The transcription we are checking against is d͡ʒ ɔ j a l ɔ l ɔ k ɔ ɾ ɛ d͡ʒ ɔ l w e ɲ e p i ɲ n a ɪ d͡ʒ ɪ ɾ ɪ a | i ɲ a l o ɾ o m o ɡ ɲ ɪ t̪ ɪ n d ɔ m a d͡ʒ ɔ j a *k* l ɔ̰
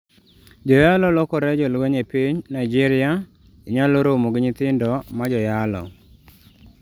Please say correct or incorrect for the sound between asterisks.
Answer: incorrect